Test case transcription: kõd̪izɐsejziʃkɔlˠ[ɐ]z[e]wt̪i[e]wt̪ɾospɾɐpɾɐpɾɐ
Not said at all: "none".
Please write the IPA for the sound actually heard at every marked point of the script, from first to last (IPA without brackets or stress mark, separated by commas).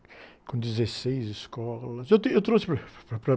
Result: ɐ, e, e